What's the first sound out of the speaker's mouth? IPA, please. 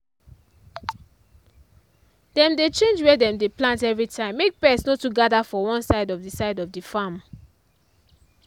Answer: d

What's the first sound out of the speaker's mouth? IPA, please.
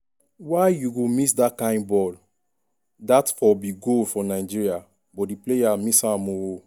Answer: w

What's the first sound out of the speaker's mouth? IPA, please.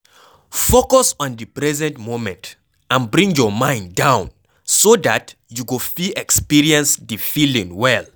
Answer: f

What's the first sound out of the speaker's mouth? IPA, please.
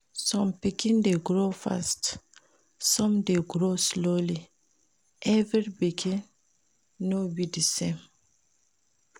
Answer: s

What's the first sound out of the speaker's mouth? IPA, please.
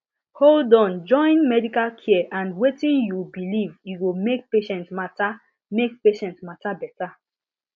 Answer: h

